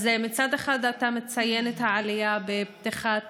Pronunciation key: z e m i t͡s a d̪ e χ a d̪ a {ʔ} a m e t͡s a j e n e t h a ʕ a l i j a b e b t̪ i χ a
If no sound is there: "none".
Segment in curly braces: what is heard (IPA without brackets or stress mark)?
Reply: t